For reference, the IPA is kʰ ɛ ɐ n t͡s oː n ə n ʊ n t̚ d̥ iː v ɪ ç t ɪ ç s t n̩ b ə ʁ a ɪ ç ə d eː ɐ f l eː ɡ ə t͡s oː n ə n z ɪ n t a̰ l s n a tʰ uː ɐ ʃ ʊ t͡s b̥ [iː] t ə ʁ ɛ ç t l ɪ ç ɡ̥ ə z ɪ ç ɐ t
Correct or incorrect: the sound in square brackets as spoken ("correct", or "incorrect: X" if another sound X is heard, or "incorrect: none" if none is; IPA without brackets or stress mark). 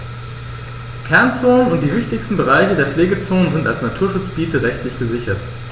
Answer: correct